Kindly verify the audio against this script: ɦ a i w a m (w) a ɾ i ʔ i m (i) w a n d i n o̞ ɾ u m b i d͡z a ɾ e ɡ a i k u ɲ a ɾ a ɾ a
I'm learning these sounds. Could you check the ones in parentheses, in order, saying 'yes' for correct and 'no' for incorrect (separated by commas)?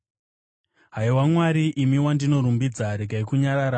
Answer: yes, yes